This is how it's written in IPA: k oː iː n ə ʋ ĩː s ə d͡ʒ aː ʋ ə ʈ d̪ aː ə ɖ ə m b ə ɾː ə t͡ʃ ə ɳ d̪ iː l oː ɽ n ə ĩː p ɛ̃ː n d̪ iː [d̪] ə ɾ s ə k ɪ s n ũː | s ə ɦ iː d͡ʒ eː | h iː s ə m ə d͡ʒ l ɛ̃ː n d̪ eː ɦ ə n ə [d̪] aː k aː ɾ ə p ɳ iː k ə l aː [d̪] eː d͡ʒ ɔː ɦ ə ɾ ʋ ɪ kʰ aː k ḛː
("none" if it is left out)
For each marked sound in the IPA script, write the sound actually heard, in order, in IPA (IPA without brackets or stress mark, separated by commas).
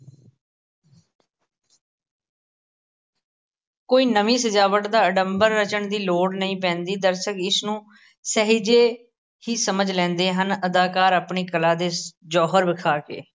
d̪, d̪, d̪